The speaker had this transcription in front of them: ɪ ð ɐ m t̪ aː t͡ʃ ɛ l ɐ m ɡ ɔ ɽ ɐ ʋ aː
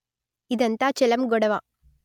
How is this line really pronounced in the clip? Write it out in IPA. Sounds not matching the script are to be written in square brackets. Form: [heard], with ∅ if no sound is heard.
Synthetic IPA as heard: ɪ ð ɐ [n] t̪ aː t͡ʃ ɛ l ɐ m ɡ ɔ ɽ ɐ ʋ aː

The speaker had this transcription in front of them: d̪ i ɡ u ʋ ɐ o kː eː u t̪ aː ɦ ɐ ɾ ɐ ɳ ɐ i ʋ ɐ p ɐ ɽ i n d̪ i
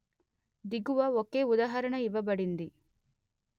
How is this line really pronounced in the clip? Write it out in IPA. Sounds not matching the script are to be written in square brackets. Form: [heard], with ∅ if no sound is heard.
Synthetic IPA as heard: d̪ i ɡ u ʋ ɐ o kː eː u [d̪] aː ɦ ɐ ɾ ɐ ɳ ɐ i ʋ ɐ [b] ɐ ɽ i n d̪ i

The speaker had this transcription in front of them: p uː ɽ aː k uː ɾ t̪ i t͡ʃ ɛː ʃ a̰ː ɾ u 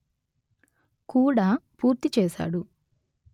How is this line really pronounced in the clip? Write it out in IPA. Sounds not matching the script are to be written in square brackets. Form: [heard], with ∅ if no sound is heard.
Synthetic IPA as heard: [k] uː ɽ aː [p] uː ɾ t̪ i t͡ʃ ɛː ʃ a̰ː [ɽ] u

